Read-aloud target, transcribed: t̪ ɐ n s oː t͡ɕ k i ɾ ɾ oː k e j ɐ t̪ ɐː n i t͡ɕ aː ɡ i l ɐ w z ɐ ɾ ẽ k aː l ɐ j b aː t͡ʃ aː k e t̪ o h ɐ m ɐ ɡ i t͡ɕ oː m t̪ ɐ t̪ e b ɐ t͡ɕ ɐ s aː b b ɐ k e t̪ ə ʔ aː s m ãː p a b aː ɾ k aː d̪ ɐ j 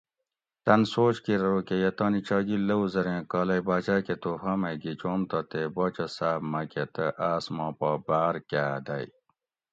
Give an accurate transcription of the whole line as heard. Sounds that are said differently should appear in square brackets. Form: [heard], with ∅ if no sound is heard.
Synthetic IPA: t̪ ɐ n s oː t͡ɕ k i ɾ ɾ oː k e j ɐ t̪ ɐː n i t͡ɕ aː ɡ i l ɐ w z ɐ ɾ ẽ k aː l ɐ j b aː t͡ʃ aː k e t̪ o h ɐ m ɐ ɡ i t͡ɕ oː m t̪ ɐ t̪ e b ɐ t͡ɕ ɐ s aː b [m] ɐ k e t̪ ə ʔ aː s m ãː p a b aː ɾ k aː d̪ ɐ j